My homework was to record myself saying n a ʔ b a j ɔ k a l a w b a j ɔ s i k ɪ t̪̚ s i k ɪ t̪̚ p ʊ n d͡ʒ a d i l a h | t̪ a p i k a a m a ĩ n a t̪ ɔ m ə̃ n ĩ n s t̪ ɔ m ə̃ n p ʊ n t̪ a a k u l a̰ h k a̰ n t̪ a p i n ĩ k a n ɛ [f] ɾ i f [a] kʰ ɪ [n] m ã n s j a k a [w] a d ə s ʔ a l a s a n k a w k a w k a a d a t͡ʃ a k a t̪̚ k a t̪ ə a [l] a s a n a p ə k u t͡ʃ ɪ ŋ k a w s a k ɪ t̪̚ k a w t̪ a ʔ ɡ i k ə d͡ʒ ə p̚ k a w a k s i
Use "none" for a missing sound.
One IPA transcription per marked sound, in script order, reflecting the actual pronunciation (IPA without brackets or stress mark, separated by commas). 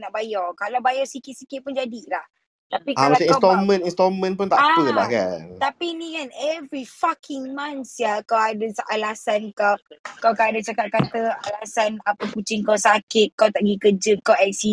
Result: v, a, ŋ, w, l